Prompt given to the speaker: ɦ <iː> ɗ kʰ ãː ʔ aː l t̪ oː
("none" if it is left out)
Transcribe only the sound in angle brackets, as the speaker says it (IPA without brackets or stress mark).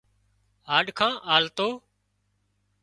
aː